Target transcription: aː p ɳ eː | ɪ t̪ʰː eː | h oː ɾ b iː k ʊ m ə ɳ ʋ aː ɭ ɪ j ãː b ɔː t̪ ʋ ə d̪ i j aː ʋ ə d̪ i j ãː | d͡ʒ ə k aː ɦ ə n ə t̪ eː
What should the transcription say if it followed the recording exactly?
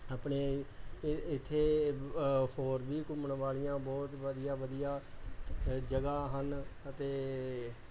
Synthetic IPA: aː p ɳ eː | ɪ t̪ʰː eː | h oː ɾ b iː k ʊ m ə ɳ ʋ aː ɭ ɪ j ãː b ɔː t̪ ʋ ə d̪ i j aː ʋ ə d̪ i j aː | d͡ʒ ə ɡ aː ɦ ə n ə t̪ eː